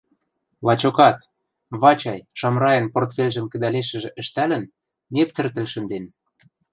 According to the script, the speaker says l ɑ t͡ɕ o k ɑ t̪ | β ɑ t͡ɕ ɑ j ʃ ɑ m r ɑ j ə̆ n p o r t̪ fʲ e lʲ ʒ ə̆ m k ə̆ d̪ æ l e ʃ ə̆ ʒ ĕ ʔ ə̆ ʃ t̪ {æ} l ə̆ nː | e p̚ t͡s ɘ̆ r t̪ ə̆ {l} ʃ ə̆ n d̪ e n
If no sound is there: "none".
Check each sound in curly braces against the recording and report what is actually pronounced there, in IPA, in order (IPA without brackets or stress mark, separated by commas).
æ, l